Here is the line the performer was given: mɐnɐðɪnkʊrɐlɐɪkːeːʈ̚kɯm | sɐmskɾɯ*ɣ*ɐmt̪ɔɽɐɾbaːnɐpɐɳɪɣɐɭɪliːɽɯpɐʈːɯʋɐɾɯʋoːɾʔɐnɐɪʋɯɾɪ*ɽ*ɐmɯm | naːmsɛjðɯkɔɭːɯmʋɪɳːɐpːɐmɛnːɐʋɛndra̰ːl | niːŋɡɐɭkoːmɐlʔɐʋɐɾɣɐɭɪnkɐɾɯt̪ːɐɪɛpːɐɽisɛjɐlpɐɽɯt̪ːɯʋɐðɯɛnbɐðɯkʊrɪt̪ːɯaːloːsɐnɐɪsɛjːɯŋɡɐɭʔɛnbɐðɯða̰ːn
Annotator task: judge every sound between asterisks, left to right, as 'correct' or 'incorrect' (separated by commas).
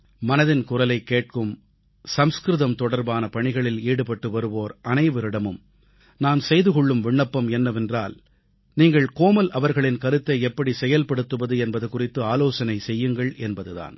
incorrect, correct